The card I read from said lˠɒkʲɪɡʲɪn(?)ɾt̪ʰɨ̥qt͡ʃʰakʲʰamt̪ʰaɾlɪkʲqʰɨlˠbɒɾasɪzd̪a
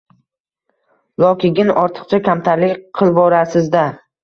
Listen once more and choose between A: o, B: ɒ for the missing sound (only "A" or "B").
B